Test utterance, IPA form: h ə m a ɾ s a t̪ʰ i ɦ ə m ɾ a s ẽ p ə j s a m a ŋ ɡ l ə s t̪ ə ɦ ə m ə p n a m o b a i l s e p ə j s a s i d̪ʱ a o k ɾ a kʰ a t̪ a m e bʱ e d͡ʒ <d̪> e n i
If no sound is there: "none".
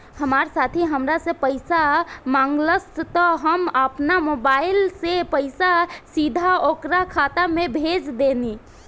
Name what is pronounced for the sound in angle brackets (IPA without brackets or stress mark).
d̪